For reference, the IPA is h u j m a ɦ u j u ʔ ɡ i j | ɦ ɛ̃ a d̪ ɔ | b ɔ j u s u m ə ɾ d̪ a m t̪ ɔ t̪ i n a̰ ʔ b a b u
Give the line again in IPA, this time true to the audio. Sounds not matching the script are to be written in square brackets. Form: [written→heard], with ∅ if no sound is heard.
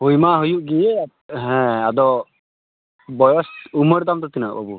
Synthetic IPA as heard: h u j m a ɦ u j u ʔ ɡ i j | ɦ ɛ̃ a d̪ ɔ | b ɔ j [u→ɔ] s u m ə ɾ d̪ a m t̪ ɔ t̪ i n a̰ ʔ b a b u